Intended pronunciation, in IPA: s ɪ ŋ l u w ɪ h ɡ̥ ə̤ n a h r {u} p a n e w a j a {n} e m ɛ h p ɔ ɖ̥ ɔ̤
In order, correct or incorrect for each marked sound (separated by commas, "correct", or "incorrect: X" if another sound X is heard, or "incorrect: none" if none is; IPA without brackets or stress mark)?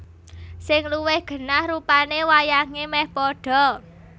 correct, incorrect: ŋ